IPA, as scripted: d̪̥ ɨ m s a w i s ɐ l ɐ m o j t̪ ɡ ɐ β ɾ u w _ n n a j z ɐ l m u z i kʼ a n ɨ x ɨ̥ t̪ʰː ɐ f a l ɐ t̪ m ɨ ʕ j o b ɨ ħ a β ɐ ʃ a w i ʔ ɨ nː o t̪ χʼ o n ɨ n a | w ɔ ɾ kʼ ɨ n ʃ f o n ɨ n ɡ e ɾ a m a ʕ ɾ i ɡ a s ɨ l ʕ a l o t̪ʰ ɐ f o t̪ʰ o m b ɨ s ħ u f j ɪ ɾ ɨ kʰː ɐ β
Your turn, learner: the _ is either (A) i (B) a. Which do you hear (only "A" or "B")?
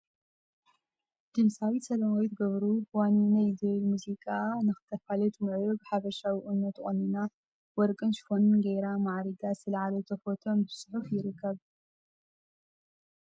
B